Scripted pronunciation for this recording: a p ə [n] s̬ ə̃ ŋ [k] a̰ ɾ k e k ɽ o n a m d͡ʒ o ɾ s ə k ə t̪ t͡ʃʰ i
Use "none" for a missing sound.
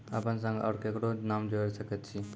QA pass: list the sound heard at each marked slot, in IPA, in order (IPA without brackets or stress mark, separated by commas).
n, ɡ